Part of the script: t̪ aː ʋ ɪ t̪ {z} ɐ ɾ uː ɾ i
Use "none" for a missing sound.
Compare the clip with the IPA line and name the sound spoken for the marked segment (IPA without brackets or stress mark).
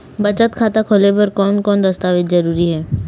z